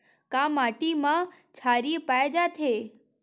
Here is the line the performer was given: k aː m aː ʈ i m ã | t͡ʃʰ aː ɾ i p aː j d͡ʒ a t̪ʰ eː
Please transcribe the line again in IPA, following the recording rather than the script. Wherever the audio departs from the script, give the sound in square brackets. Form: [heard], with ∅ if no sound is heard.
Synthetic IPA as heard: k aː m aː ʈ i m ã | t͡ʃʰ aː ɾ i p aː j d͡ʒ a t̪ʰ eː